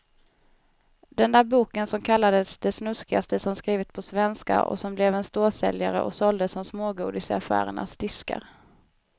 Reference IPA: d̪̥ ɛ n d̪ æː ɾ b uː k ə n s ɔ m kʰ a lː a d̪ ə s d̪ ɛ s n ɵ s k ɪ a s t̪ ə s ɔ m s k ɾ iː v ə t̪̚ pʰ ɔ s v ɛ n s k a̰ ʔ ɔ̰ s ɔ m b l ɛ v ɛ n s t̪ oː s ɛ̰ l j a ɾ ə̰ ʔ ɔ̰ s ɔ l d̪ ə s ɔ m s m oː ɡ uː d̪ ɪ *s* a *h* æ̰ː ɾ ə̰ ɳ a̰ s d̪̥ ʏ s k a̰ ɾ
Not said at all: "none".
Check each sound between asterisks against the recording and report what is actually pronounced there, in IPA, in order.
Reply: s, f

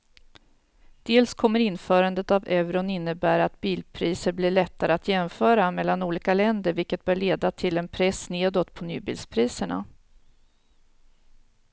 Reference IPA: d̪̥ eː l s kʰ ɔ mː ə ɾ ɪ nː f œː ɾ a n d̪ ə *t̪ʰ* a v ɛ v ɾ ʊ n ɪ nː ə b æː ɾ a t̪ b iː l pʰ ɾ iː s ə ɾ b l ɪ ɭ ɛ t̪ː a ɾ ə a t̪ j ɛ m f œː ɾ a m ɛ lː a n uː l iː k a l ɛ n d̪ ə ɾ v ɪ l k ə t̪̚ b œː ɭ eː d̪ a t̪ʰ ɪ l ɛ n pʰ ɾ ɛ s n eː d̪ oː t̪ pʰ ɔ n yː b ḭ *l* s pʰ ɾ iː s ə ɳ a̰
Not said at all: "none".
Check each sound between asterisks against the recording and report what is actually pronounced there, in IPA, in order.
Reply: t̪, l

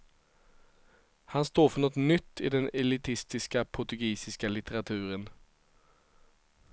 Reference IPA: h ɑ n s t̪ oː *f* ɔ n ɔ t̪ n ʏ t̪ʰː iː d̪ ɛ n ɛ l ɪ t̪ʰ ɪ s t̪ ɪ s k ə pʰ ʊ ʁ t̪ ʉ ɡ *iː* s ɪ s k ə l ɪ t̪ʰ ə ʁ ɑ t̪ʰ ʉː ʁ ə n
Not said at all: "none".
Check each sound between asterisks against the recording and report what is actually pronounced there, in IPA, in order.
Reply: f, iː

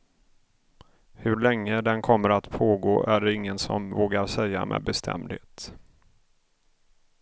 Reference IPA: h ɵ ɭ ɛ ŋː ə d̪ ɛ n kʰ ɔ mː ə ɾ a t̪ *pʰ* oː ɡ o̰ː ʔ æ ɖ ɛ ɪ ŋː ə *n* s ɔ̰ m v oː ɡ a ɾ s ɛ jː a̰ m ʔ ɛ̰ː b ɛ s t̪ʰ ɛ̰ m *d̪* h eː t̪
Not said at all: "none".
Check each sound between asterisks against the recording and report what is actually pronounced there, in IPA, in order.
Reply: pʰ, n, d̪

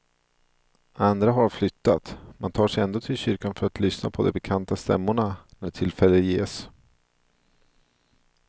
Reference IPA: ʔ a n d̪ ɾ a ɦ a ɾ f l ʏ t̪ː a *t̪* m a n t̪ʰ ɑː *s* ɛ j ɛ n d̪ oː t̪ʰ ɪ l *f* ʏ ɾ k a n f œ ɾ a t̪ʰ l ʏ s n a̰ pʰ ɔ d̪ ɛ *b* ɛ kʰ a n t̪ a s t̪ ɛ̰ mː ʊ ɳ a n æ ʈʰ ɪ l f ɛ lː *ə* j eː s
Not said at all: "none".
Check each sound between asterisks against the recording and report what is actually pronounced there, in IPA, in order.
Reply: t̪, ʂ, ɕ, b, ə

